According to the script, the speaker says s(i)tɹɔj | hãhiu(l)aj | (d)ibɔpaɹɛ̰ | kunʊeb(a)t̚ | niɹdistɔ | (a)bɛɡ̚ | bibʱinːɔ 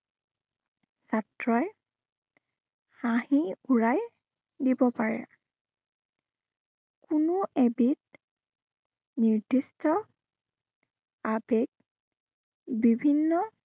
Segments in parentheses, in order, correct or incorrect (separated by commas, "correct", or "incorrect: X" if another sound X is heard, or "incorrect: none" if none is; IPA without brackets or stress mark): incorrect: a, incorrect: ɹ, correct, incorrect: i, correct